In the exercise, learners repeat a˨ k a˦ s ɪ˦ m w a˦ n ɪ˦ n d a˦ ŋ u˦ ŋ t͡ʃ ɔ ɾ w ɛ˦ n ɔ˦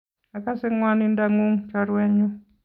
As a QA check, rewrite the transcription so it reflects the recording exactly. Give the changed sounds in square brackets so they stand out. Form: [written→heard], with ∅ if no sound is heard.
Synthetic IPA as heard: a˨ k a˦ s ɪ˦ [m→ŋ] w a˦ n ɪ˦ n d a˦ ŋ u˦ ŋ t͡ʃ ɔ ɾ w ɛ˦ [n→ɲ] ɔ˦